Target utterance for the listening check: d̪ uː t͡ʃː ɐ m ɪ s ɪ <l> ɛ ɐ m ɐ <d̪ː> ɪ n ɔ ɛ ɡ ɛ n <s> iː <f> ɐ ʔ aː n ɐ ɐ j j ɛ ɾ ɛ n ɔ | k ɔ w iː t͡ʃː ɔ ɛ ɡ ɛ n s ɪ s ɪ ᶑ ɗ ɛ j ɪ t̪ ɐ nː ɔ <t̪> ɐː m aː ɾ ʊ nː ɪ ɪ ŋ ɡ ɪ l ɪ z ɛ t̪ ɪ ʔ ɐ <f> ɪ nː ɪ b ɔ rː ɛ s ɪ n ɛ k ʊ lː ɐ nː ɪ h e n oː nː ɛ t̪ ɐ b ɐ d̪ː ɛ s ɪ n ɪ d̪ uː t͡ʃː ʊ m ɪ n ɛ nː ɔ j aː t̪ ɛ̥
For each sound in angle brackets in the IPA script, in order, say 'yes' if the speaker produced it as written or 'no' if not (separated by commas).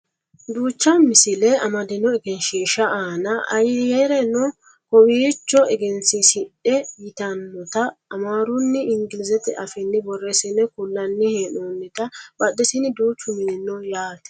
yes, no, no, no, yes, yes